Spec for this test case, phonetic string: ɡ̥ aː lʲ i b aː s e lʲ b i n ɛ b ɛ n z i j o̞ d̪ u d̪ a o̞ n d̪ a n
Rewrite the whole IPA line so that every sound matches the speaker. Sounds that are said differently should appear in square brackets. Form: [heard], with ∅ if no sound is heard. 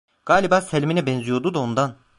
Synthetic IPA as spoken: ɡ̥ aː lʲ i b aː s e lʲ [m] i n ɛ b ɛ n z i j o̞ d̪ u d̪ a o̞ n d̪ a n